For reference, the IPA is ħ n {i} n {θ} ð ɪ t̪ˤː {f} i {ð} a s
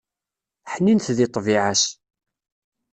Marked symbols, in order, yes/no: yes, yes, no, no

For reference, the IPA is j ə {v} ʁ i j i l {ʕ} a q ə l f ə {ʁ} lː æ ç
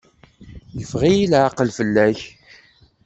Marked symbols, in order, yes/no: no, yes, no

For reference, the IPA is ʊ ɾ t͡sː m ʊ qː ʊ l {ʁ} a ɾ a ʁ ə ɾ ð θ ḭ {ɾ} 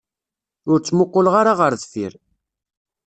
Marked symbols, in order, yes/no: yes, yes

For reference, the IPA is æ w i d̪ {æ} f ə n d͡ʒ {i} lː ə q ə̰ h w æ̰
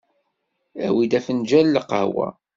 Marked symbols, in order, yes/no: yes, no

